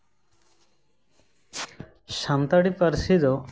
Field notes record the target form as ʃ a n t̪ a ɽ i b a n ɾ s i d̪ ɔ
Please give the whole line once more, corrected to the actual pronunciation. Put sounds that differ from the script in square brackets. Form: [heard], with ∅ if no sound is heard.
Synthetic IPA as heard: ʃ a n t̪ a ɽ i [p] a [∅] ɾ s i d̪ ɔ